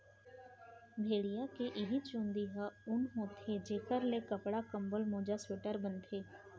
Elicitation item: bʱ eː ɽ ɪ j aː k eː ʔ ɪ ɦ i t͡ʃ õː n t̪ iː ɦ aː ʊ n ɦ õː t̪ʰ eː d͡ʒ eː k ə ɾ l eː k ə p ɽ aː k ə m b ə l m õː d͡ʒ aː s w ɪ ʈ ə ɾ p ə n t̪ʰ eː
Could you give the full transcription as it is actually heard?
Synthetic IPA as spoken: bʱ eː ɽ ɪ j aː k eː ʔ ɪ ɦ i t͡ʃ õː n d̪ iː ɦ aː ʊ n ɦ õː t̪ʰ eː d͡ʒ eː k ə ɾ l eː k ə p ɽ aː k ə m b ə l m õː d͡ʒ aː s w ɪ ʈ ə ɾ b ə n t̪ʰ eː